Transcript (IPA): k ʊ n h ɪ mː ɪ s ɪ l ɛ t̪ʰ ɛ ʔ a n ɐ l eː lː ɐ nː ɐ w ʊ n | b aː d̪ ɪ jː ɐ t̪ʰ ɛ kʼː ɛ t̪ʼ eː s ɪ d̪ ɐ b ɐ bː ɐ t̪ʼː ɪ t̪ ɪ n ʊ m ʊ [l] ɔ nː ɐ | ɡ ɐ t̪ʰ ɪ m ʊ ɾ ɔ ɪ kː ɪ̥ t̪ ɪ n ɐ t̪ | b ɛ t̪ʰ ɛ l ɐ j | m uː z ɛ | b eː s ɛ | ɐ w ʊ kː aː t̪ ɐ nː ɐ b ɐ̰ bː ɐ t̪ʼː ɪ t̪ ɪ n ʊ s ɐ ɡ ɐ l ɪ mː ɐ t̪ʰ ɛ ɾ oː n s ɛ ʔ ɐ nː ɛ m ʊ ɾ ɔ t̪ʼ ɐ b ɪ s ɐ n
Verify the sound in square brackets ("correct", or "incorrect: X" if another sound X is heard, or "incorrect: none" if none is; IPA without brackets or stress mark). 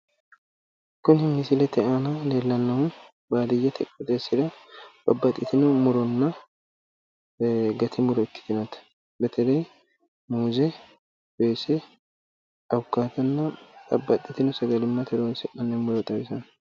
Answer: incorrect: ɾ